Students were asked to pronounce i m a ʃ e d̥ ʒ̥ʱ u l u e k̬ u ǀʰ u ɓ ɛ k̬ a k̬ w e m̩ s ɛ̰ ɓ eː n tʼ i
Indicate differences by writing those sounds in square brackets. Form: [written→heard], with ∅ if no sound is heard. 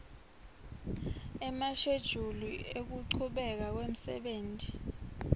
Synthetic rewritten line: [i→ɛ] m a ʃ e d̥ ʒ̥ʱ u l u e k̬ u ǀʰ u ɓ ɛ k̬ a k̬ w e m̩ s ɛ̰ ɓ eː n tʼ i